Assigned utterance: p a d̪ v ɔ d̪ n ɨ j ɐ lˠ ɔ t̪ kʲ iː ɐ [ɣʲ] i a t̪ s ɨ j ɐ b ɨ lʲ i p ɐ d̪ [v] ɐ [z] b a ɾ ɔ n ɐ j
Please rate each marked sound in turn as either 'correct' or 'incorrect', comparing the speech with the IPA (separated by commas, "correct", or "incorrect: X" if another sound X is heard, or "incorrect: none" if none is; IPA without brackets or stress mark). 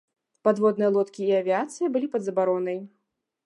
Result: incorrect: vʲ, incorrect: z, incorrect: none